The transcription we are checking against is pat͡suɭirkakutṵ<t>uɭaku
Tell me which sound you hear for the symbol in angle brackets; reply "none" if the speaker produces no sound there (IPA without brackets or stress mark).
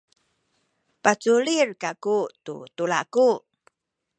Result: t